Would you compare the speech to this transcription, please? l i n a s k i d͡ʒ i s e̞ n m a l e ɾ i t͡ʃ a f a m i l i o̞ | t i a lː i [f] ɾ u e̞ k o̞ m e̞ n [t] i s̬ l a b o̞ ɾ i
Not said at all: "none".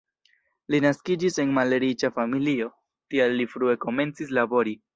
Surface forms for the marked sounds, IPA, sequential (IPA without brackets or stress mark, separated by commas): f, t͡s